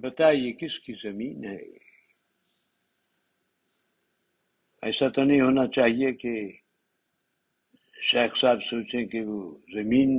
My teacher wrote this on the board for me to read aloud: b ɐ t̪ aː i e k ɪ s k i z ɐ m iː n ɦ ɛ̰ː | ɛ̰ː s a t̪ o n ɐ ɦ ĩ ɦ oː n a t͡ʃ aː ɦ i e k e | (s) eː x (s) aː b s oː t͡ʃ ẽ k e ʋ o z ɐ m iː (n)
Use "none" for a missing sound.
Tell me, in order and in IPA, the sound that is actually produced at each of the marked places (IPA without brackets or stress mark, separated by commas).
ʃ, s, n